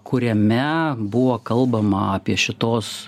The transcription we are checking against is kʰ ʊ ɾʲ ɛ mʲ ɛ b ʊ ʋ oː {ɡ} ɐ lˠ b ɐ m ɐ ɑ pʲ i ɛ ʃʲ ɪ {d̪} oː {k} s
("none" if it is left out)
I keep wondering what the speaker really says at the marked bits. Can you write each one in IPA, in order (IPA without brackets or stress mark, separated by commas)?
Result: k, t̪, none